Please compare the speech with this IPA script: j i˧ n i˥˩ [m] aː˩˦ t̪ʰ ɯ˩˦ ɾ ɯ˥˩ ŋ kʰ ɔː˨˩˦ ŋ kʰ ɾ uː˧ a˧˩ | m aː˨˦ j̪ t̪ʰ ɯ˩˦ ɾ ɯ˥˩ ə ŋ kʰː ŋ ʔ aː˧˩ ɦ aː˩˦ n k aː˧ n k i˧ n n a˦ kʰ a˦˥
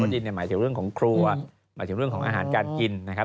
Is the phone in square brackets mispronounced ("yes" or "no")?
no